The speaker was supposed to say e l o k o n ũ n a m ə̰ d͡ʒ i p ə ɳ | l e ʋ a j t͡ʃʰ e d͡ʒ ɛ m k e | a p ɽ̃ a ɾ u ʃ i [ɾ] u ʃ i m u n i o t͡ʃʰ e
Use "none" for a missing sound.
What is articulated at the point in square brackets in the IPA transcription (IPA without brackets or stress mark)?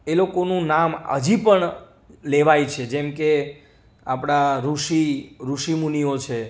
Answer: ɾ